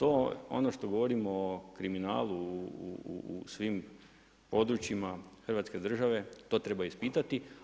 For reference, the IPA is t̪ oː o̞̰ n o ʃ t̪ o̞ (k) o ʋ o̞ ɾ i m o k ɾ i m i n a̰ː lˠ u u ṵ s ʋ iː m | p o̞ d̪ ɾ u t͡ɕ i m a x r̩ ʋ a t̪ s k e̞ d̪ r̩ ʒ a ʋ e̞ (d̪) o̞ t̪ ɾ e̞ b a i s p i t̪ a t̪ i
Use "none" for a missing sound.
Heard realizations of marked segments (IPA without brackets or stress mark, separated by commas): ɡ, t̪